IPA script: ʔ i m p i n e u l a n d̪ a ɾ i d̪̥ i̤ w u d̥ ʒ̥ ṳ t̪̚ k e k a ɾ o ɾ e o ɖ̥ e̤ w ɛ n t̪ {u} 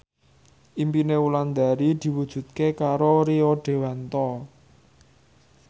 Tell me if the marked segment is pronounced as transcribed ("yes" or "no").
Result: no